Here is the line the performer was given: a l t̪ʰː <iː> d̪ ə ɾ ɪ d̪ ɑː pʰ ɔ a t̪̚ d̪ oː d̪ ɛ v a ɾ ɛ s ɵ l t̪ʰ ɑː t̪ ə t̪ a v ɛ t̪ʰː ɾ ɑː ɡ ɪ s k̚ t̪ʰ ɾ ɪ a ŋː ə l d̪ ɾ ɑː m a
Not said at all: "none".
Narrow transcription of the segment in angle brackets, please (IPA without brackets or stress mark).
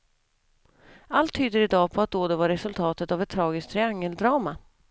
yː